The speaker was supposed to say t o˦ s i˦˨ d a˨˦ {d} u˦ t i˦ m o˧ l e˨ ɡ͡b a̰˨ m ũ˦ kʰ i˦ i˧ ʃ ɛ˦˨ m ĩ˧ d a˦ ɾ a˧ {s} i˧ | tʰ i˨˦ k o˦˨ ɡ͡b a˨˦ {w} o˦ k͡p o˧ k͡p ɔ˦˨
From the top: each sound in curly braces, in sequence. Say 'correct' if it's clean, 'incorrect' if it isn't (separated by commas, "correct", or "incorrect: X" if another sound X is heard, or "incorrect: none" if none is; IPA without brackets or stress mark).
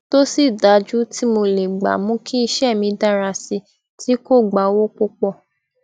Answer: incorrect: d͡ʒ, correct, correct